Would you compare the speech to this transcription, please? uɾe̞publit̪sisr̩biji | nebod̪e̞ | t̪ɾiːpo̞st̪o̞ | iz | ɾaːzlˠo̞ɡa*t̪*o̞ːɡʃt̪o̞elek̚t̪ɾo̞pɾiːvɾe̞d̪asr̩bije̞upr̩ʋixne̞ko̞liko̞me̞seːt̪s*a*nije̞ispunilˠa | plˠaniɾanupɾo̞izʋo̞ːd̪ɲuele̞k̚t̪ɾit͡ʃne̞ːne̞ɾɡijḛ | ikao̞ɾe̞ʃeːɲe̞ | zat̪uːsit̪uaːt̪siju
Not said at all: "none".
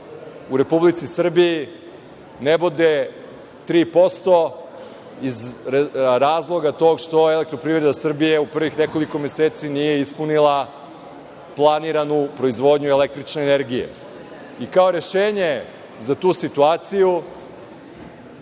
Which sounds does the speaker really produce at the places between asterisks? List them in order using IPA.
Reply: t̪, i

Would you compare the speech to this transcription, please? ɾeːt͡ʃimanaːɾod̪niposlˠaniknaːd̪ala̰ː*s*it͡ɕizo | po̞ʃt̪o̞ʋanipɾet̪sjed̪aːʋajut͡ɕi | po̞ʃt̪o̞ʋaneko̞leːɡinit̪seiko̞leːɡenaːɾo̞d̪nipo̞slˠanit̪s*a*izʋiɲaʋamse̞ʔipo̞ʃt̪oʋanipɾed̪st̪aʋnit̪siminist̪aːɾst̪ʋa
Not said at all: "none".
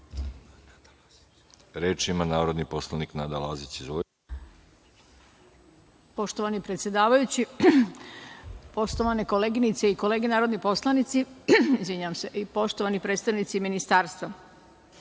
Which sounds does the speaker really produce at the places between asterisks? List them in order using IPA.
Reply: z, i

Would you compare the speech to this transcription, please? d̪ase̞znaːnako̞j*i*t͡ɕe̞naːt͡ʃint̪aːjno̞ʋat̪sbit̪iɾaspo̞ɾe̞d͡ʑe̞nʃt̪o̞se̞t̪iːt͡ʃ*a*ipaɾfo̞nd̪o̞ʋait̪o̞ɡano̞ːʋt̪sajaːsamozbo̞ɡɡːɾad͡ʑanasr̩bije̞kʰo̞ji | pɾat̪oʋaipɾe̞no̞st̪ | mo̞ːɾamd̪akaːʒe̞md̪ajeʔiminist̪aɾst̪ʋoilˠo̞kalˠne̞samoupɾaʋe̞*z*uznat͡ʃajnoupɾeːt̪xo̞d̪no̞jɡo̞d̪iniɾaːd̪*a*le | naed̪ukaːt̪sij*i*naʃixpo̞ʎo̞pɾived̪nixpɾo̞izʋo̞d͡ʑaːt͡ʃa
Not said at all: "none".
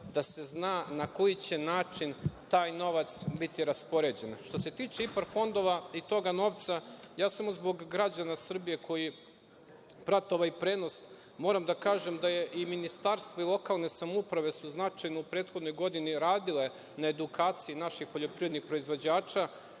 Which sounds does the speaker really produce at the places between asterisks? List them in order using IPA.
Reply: i, e, s, i, i

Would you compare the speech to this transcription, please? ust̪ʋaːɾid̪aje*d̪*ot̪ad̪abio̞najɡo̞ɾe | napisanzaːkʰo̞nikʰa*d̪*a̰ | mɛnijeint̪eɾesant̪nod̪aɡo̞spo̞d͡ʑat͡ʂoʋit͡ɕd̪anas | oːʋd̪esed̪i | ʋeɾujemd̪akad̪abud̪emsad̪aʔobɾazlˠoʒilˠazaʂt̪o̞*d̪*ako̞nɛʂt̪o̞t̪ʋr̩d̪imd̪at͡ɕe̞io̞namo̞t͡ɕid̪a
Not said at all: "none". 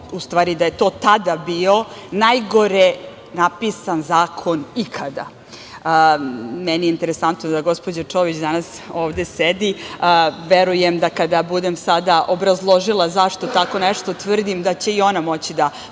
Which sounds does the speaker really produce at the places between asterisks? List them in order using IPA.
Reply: t̪, d̪, t̪

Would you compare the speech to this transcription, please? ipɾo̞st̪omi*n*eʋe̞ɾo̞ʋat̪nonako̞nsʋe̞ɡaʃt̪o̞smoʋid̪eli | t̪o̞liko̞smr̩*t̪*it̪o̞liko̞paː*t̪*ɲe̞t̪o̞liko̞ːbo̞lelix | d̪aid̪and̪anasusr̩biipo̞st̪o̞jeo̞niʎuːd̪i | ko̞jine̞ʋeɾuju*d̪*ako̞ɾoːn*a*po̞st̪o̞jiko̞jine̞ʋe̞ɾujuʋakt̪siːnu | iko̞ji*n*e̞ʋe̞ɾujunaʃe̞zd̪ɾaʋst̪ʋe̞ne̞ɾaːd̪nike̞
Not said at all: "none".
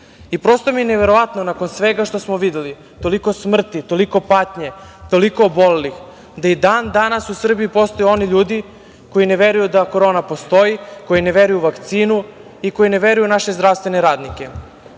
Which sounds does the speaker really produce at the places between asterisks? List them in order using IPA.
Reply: n, t̪, t̪, d̪, a, n

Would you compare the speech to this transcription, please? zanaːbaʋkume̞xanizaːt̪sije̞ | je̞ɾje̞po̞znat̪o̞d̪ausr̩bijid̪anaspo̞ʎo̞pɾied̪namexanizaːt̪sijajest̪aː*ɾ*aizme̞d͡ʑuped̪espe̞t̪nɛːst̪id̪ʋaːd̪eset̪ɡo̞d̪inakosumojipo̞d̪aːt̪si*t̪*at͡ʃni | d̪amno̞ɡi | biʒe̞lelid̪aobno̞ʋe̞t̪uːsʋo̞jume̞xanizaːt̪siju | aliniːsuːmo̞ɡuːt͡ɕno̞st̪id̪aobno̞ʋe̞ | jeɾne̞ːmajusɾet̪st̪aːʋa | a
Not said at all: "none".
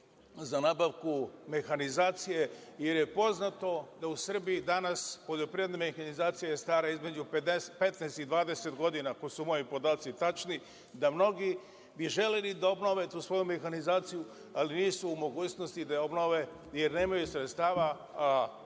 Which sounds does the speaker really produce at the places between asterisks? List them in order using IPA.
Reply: ɾ, t̪

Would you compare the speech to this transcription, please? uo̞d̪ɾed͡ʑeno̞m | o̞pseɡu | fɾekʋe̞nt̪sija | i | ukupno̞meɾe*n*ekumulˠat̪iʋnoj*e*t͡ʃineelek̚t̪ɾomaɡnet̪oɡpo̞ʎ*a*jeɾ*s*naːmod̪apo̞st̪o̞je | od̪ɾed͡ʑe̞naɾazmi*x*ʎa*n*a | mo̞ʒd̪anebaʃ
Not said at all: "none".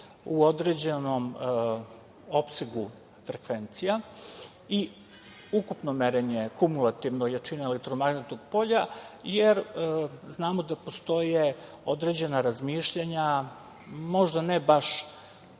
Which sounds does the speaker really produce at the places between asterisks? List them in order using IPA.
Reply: ɲ, a, a, z, ʃ, ɲ

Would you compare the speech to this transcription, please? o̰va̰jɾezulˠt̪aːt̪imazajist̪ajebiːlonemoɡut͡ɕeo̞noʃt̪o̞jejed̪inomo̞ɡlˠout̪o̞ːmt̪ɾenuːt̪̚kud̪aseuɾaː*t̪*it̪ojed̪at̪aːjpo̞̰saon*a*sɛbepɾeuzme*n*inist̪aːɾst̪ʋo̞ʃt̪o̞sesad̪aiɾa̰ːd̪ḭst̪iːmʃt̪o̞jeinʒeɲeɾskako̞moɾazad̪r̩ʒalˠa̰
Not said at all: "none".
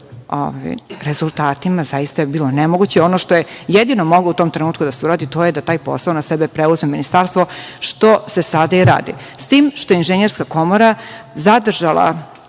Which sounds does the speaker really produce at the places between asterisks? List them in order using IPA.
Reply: d̪, a, m

